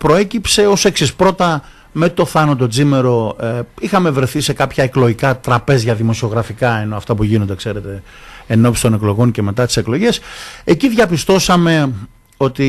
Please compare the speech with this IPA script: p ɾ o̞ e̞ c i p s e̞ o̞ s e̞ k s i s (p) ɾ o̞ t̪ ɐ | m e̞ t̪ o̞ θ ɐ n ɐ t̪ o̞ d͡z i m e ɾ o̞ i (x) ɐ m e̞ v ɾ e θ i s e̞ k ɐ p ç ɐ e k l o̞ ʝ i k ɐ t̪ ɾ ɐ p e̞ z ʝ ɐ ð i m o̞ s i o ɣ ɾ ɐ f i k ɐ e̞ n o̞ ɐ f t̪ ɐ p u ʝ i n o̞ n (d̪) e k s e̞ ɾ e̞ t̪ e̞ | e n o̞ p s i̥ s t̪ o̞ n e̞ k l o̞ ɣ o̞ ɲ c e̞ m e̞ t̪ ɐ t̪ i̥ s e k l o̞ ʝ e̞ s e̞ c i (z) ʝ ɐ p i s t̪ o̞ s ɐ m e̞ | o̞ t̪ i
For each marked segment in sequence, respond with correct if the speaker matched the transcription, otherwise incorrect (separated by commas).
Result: correct, correct, correct, incorrect